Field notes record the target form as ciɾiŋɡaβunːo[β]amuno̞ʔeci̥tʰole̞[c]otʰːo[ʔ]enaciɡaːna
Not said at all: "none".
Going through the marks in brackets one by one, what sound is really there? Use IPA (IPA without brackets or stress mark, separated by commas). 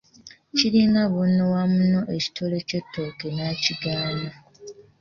w, c, k